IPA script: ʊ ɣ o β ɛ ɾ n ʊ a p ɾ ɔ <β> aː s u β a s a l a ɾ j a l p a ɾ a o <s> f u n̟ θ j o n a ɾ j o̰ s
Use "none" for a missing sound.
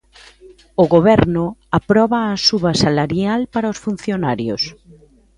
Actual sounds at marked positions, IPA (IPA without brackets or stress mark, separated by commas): β, s